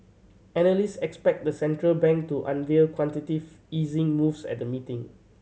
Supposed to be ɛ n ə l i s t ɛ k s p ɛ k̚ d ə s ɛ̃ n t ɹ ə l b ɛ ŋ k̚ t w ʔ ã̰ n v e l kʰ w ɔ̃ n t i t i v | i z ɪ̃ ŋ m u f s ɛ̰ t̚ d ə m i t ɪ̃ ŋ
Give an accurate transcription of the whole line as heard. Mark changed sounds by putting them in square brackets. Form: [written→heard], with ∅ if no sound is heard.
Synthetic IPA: ɛ n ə l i s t ɛ k s p ɛ k̚ d ə s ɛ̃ n t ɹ ə l b [ɛ→ɛ̃] ŋ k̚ t [w→u] ʔ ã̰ n v e l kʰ w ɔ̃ n t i t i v | i z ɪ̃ ŋ m u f s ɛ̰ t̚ d ə m i t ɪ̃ ŋ